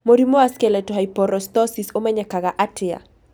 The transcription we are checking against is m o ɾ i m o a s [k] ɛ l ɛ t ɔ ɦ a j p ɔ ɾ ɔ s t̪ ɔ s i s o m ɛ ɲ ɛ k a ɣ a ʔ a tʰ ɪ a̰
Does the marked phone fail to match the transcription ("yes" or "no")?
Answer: no